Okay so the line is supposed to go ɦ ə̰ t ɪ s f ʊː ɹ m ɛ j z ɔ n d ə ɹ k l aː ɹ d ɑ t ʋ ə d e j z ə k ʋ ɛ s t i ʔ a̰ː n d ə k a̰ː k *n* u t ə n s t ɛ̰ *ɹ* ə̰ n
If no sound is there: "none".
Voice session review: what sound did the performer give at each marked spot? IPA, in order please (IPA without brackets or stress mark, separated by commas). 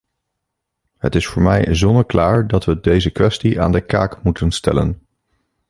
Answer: m, l